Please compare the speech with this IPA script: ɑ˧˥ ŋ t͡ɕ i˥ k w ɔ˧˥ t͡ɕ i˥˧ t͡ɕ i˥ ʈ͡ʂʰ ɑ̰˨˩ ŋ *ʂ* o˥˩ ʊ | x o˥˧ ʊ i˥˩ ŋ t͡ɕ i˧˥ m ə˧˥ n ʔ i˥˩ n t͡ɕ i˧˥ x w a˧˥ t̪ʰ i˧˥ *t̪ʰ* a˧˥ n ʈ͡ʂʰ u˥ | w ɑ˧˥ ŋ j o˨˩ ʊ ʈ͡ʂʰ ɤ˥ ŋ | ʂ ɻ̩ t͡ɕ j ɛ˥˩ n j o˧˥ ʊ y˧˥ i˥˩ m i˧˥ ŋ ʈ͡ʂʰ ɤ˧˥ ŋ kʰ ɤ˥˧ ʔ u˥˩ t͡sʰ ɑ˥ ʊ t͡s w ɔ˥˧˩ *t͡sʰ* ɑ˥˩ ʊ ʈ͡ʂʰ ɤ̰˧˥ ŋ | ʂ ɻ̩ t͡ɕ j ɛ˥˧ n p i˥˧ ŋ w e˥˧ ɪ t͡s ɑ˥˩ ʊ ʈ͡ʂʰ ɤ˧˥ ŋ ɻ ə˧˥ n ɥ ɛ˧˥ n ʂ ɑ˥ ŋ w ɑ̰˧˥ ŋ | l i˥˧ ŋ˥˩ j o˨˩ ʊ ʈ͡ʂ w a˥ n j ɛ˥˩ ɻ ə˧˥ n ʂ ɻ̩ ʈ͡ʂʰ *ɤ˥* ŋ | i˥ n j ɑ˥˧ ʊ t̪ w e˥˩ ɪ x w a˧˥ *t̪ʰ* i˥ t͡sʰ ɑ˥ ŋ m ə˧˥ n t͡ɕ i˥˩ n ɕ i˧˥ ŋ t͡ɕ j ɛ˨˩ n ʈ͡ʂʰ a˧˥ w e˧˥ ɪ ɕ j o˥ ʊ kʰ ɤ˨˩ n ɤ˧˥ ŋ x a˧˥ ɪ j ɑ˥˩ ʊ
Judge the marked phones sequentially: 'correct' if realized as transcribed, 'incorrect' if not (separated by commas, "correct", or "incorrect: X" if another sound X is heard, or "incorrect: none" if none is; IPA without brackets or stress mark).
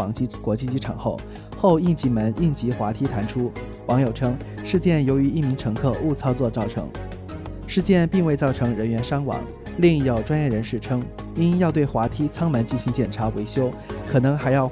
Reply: incorrect: x, correct, incorrect: t͡s, correct, correct